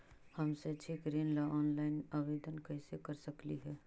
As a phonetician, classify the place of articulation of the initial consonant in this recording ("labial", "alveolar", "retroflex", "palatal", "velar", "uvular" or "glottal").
glottal